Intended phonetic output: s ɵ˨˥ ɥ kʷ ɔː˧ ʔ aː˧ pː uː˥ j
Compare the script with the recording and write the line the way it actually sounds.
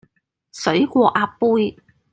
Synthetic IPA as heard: s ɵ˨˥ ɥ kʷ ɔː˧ ʔ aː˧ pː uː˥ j